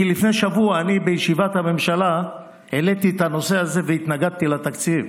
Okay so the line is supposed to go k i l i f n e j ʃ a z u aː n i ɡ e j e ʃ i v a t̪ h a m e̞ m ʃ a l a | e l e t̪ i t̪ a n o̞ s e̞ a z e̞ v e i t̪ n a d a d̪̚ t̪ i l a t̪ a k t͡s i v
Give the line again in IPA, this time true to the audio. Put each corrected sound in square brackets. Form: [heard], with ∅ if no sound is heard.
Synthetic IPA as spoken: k i l i f n e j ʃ a [v] u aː n i [b] e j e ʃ i v a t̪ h a m e̞ m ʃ a l a | e l e t̪ i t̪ a n o̞ s e̞ a z e̞ v e i t̪ n a [ɡ] a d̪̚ t̪ i l a t̪ a k t͡s i v

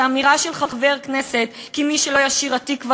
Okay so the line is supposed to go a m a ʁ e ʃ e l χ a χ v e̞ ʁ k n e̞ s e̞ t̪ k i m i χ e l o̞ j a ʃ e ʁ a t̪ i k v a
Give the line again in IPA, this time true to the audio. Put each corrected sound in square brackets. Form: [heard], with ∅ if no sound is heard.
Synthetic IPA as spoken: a m [i] ʁ [a] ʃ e l χ a χ v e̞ ʁ k n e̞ s e̞ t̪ k i m i [ʃ] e l o̞ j a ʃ [i] ʁ a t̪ i k v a

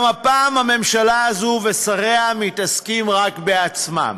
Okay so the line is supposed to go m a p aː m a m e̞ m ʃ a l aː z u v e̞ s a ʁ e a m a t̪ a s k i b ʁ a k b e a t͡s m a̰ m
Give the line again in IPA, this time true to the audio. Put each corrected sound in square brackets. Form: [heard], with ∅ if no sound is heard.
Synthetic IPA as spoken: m a p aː m a m e̞ m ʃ a l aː z u v e̞ s a ʁ e a m [i] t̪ a s k i [m] ʁ a k b e a t͡s m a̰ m

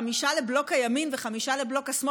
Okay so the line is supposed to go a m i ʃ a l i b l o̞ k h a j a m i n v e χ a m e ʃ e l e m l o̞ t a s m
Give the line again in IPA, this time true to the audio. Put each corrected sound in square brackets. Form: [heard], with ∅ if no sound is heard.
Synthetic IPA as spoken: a m i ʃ a l [e] b l o̞ k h a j a m i n v e χ a m [i] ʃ [a] l e [b] l o̞ [k] a s m

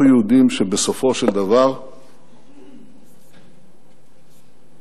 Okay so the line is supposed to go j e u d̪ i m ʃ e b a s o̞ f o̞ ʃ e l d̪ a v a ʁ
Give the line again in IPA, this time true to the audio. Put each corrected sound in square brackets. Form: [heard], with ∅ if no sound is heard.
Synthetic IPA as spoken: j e u d̪ i m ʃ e b [e] s o̞ f o̞ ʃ e l d̪ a v a ʁ

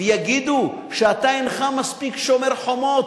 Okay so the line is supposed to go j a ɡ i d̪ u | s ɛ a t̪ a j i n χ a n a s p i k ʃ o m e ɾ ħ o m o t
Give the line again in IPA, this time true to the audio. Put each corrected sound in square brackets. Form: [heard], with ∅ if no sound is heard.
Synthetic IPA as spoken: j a ɡ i d̪ u | [ʃ] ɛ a t̪ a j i n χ a [m] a s p i k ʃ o m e ɾ ħ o m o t

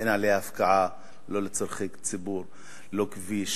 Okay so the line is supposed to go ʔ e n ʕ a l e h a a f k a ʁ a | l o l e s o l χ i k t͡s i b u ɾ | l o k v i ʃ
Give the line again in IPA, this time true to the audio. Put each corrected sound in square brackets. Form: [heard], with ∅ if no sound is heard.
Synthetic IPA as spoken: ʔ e n ʕ a l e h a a f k a [ʕ] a | l o l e [t͡s] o [ɾ] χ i k t͡s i b u ɾ | l o k v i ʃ

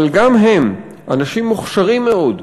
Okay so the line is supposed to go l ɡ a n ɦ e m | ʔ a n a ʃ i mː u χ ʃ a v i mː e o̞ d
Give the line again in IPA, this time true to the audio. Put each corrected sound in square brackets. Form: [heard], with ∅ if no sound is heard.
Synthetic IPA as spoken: l ɡ a [m] ɦ e m | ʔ a n a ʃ i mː u χ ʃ a [ʁ] i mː e o̞ d

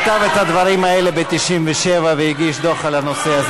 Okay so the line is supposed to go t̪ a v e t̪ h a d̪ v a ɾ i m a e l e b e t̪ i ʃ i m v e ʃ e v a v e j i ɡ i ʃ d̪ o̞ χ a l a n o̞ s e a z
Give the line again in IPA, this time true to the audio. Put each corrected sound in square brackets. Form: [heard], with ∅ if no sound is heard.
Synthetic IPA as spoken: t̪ a v e t̪ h a d̪ v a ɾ i m a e l e b e t̪ i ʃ i m v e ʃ e v a v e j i ɡ i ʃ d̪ o̞ χ a l a n o̞ s e a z

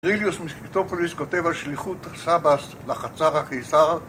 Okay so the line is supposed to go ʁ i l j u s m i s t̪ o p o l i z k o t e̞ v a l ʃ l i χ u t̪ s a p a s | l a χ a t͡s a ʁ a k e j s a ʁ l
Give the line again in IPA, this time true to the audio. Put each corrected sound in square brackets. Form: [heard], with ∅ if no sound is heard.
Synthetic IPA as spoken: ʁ i l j u s m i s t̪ o p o l i [s] k o t e̞ v a l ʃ l i χ u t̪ s a [b] a s | l a χ a t͡s a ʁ a k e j s a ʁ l

